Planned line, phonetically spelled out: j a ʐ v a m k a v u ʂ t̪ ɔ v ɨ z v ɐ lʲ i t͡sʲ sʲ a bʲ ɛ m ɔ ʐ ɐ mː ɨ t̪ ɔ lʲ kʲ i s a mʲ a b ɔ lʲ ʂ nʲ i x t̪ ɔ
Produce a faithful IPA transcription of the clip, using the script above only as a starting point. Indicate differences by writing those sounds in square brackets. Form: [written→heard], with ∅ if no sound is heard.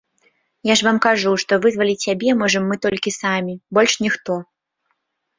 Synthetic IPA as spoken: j a ʐ v a m k a [v→ʐ] u ʂ t̪ ɔ v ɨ z v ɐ lʲ i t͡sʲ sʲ a bʲ ɛ m ɔ ʐ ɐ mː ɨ t̪ ɔ lʲ kʲ i s a mʲ [a→i] b ɔ lʲ ʂ nʲ i x t̪ ɔ